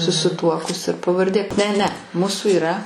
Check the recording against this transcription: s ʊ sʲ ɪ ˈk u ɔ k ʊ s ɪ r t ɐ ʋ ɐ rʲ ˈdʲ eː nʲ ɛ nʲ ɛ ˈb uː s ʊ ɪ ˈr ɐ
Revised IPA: s ʊ sʲ ɪ ˈt u ɔ k ʊ s ɪ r p ɐ ʋ ɐ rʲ ˈdʲ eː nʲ ɛ nʲ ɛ ˈm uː s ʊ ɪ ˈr ɐ